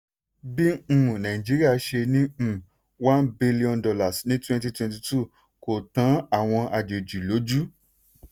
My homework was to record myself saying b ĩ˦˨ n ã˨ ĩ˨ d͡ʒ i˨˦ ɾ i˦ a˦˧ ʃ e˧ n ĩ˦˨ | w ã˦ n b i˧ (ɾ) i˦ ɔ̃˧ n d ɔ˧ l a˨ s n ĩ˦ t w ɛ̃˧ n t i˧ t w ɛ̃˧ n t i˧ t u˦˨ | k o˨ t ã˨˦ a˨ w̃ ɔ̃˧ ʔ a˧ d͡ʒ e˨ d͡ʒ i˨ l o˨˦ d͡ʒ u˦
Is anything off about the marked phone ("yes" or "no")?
yes